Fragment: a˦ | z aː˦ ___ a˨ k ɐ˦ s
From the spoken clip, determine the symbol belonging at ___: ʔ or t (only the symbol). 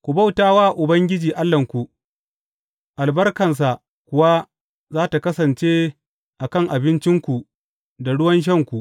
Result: t